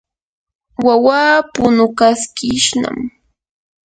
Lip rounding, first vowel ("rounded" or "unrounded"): unrounded